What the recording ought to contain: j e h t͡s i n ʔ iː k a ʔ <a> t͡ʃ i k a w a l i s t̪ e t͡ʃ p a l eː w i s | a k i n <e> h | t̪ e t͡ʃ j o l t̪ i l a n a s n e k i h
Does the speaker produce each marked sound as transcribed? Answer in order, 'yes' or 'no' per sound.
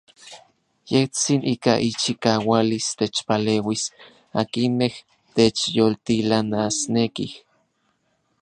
no, yes

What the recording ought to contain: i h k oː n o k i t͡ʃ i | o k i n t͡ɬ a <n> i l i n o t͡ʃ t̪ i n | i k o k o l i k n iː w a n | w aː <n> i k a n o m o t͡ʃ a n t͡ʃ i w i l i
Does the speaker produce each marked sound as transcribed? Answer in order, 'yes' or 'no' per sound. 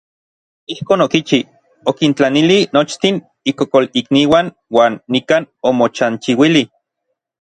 yes, no

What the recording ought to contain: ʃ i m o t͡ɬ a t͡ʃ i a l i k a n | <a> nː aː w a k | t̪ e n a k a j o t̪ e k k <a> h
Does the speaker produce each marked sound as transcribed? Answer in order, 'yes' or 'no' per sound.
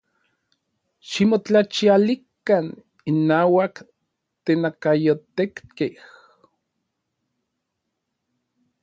no, no

